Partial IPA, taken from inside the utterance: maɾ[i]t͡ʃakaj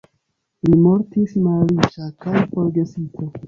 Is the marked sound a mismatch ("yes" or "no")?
no